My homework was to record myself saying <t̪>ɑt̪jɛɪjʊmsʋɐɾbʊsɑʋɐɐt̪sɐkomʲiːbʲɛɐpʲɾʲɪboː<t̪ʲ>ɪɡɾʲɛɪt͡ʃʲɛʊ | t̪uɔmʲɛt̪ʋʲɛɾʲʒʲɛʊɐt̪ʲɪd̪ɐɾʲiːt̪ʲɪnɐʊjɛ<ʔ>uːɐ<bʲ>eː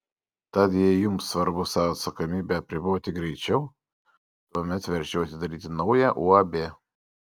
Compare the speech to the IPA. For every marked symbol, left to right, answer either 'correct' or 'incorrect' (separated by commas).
correct, correct, correct, correct